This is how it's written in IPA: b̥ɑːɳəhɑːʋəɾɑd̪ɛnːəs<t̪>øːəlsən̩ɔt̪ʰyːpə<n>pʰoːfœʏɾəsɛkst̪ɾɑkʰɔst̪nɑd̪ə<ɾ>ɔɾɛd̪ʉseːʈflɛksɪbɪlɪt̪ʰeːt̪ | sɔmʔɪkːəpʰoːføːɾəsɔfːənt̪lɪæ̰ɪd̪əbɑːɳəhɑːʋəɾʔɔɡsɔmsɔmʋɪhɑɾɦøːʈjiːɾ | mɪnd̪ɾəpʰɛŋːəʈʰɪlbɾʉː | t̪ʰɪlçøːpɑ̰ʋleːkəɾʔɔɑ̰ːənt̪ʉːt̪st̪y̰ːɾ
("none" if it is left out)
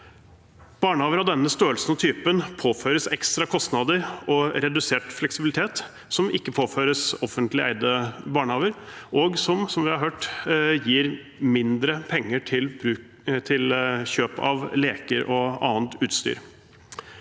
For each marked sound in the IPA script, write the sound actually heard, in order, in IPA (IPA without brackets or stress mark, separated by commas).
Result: t̪, n, ɾ